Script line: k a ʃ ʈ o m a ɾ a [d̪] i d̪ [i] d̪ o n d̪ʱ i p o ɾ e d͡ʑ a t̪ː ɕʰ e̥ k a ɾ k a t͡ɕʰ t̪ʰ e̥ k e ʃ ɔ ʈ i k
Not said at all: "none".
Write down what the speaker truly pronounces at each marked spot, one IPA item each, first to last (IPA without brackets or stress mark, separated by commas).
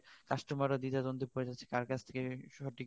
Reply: d̪, a